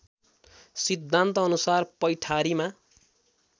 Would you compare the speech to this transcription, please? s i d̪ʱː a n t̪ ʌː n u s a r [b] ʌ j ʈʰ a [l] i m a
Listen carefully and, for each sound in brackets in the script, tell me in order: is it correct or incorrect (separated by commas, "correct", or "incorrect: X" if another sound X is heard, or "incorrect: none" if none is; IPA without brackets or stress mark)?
incorrect: p, incorrect: ɾ